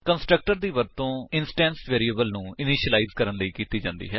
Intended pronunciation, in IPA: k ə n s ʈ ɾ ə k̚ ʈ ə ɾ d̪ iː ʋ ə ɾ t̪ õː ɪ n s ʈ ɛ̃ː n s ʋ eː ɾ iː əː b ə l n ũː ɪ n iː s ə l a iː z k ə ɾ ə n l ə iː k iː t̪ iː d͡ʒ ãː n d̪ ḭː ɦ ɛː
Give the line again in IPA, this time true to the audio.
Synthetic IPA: k ə n s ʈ ɾ ə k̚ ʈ ə ɾ d̪ iː ʋ ə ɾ t̪ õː ɪ n s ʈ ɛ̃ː n s ʋ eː ɾ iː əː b ə l n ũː ɪ n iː ʃ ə l a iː z k ə ɾ ə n l ə iː k iː t̪ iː d͡ʒ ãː n d̪ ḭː ɦ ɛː